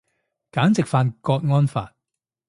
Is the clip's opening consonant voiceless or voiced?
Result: voiceless